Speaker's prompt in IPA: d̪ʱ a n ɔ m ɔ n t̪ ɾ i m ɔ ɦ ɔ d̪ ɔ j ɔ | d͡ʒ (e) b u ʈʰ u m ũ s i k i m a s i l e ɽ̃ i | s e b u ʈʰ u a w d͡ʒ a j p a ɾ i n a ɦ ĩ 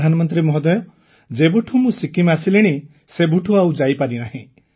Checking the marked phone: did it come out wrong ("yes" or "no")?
no